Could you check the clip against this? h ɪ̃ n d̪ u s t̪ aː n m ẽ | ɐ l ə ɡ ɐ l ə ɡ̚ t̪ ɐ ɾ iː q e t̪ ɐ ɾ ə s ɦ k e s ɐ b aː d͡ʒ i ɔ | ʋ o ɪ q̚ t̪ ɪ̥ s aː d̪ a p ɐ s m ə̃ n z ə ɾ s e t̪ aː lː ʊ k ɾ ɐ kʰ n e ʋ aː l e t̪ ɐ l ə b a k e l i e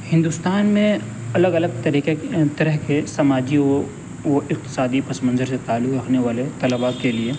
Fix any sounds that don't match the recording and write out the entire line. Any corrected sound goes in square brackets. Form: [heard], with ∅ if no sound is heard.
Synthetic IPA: h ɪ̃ n d̪ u s t̪ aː n m ẽ | ɐ l ə ɡ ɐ l ə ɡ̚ t̪ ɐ ɾ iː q e t̪ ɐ ɾ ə [∅] ɦ k e s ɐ [m] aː d͡ʒ i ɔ | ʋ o ɪ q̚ t̪ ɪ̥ s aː d̪ [i] p ɐ s m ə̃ n z ə ɾ s e t̪ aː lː ʊ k ɾ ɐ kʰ n e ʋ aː l e t̪ ɐ l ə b a k e l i e